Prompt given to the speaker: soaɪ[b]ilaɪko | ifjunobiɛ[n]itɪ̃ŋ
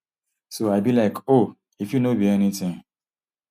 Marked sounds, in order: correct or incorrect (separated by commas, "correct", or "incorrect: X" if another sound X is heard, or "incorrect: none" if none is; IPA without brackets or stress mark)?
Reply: correct, correct